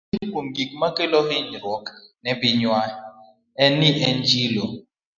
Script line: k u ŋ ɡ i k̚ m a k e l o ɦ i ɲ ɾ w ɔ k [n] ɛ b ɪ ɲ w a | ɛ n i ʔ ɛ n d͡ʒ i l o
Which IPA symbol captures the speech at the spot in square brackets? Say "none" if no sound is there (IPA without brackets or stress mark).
n